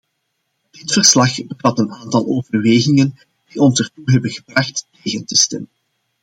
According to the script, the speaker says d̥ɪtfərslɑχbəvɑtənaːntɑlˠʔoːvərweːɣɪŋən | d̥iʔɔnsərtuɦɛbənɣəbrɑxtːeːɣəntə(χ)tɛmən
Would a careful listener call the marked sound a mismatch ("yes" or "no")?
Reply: yes